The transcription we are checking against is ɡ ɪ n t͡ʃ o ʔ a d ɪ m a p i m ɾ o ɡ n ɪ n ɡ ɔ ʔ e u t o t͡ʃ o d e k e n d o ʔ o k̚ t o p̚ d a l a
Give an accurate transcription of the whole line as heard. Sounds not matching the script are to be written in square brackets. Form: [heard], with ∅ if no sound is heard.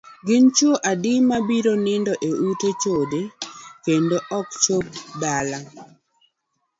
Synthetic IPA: ɡ ɪ n t͡ʃ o ʔ a d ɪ m a [b] i [∅] ɾ o [∅] n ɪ n [d] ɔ ʔ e u t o t͡ʃ o d e k e n d o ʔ [ɔ] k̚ [t͡ʃ] o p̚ d a l a